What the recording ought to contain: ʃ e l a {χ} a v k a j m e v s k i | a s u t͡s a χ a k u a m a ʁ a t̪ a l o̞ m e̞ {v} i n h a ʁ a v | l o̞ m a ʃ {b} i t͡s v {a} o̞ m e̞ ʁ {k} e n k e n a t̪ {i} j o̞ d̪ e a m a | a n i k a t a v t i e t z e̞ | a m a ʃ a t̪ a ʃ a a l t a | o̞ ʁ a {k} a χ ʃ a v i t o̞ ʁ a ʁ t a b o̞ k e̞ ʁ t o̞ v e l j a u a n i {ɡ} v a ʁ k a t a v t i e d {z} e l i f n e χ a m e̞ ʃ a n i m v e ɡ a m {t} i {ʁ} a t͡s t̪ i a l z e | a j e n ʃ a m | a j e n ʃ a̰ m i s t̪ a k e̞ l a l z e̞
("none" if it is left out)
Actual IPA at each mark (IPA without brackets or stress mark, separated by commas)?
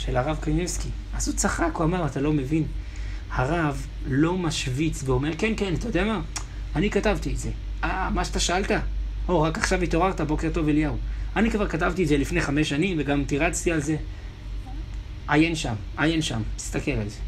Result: ʁ, v, v, e, k, a, k, k, z, t, ʁ